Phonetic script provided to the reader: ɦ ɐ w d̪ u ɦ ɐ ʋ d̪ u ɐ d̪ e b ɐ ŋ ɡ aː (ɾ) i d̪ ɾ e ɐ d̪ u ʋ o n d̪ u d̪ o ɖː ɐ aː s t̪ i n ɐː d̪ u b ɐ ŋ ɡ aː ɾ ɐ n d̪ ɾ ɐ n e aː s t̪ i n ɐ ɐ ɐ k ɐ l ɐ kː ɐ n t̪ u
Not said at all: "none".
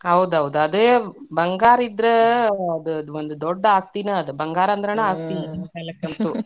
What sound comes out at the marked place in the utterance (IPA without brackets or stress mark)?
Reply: ɾ